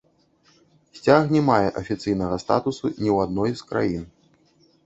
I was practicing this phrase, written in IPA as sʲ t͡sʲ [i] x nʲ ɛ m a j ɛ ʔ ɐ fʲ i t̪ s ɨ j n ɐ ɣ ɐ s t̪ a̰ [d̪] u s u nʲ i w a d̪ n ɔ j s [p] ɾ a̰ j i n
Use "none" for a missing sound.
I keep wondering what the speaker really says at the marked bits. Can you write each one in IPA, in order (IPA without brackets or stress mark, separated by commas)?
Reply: a, t̪, k